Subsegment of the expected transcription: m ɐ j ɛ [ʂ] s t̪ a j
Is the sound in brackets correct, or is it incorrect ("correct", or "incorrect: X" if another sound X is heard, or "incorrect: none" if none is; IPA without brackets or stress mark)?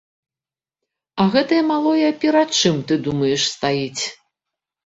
correct